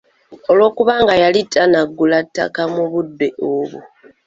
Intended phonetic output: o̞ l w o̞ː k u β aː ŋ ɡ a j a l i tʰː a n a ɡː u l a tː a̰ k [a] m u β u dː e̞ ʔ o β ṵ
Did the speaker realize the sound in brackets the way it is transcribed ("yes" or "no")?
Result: yes